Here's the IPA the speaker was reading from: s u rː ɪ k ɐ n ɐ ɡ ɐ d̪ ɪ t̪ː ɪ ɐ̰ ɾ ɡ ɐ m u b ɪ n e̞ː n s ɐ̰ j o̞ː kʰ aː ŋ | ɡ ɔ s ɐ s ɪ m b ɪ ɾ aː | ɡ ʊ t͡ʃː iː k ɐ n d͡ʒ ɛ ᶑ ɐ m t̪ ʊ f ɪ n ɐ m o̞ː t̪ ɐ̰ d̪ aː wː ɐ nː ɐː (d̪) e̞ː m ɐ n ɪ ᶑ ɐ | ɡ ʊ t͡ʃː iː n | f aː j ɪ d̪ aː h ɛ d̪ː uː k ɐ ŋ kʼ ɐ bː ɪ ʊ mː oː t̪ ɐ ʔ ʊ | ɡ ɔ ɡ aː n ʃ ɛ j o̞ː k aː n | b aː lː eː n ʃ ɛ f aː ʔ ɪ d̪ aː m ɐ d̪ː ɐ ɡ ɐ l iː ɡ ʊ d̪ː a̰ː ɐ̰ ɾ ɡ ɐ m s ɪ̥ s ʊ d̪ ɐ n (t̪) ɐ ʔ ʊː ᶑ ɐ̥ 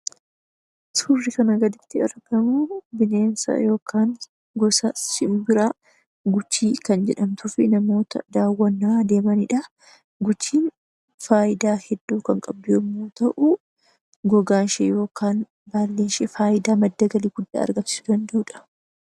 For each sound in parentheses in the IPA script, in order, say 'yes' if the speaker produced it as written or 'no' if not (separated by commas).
yes, no